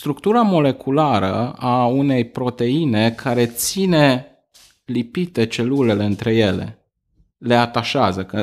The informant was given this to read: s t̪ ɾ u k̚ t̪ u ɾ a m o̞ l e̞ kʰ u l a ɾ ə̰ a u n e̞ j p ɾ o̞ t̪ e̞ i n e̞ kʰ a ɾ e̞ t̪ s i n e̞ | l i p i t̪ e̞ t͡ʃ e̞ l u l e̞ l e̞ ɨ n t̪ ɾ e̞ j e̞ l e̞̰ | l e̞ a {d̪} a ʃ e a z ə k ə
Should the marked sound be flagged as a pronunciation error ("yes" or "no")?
yes